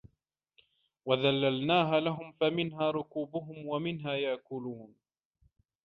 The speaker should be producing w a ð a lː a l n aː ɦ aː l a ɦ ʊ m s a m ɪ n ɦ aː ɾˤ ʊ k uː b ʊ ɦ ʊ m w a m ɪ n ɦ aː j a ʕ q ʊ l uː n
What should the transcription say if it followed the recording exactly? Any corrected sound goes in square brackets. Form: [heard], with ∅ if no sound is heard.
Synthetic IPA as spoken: w a ð a lː a l n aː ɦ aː l a ɦ ʊ m [f] a m ɪ n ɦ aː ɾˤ ʊ k uː b ʊ ɦ ʊ m w a m ɪ n ɦ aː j a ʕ [k] ʊ l uː n